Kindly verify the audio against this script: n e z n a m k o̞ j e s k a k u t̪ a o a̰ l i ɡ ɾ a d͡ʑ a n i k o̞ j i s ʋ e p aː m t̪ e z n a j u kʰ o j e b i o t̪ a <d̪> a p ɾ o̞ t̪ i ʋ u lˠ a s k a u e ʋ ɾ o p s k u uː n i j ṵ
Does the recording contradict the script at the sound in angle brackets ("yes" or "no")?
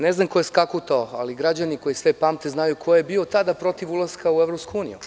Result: no